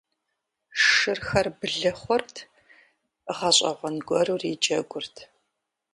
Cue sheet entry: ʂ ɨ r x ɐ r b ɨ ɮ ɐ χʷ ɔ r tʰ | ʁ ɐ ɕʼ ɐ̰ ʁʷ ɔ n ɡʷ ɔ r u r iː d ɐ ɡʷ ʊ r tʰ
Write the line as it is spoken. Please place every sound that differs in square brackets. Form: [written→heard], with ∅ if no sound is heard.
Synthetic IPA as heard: ʂ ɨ r x ɐ r b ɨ ɮ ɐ χʷ ɔ r tʰ | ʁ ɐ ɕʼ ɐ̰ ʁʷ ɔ n ɡʷ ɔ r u r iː [d→d͡ʒ] ɐ ɡʷ ʊ r tʰ